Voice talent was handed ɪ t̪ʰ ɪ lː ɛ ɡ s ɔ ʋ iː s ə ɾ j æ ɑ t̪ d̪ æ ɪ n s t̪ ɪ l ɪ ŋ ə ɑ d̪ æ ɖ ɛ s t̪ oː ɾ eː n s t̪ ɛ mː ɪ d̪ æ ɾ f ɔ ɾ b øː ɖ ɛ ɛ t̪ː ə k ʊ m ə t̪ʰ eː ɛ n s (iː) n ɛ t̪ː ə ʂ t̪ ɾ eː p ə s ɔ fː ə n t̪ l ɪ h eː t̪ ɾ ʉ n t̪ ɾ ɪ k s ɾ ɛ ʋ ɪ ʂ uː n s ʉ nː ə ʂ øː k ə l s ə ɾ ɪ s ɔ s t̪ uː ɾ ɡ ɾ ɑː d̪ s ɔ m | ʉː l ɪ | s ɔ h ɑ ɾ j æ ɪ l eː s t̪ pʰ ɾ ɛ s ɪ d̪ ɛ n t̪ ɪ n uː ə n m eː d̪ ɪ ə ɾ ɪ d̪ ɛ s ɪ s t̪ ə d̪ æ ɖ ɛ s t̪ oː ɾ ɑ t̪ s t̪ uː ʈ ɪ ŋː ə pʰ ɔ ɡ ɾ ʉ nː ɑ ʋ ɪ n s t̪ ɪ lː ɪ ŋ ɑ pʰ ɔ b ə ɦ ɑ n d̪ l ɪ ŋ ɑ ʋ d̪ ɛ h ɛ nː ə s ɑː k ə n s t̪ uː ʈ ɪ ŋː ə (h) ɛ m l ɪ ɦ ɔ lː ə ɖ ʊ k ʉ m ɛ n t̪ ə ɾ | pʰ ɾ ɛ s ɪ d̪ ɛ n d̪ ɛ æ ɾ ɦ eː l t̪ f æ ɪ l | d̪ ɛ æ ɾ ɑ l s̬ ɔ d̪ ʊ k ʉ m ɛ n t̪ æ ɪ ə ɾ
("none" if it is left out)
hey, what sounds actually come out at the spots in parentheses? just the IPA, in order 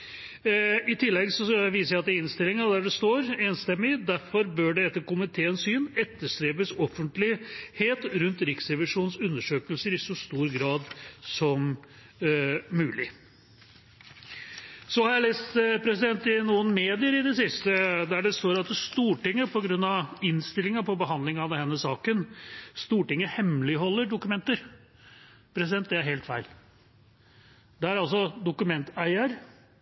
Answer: yː, h

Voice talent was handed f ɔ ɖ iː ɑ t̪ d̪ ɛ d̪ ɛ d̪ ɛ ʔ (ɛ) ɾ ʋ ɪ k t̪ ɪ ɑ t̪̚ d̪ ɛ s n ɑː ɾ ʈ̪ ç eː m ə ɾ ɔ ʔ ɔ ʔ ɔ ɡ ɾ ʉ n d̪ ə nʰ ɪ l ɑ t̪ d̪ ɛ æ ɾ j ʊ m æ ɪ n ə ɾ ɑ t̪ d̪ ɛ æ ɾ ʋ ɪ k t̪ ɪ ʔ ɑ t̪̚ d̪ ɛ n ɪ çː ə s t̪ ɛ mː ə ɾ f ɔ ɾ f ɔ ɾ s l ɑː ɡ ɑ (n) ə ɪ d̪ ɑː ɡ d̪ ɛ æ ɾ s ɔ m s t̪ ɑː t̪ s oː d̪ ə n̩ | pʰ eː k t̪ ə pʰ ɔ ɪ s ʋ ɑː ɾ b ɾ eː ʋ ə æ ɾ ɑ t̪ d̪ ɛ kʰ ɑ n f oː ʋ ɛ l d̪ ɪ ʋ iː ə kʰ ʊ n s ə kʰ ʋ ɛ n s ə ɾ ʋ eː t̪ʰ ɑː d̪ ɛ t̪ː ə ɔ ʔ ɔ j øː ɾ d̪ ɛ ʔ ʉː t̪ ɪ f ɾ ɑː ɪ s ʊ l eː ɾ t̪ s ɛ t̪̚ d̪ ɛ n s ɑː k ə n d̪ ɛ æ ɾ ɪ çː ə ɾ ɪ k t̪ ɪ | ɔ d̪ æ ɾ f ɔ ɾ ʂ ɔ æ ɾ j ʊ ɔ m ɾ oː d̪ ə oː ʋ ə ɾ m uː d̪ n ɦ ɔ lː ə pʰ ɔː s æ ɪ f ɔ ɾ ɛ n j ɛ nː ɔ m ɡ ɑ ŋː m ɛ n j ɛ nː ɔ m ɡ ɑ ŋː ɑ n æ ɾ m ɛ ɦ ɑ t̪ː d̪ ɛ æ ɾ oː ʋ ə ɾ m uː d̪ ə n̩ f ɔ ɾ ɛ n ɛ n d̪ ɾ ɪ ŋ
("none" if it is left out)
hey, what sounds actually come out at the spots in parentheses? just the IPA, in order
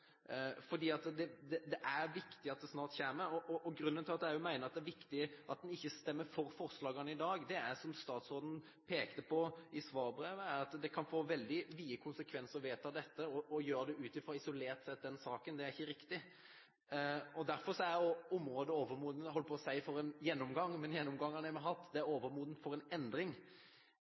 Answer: æ, n

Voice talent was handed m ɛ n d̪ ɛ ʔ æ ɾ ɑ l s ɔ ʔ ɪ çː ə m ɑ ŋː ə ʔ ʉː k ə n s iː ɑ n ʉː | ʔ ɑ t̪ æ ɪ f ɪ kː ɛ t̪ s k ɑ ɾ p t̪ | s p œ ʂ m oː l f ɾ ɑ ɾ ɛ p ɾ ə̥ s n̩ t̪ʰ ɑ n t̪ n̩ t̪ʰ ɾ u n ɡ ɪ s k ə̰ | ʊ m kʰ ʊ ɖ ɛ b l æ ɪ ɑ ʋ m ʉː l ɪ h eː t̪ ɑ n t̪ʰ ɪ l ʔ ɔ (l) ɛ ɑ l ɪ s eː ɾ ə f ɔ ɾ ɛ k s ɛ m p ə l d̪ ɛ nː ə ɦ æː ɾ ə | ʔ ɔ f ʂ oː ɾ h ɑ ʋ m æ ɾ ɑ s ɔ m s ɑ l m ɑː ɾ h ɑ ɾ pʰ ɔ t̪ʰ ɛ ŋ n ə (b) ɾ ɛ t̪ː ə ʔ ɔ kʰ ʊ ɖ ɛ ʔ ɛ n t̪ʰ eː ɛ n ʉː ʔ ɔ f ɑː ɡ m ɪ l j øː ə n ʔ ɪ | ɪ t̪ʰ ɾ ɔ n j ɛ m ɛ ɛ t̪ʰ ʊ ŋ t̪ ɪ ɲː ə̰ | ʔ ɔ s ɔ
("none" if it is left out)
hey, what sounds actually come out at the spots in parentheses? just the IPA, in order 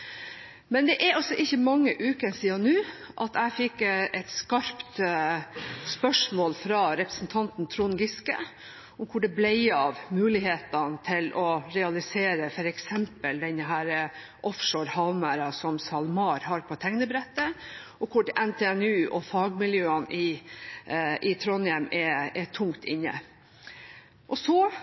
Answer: ɾ, b

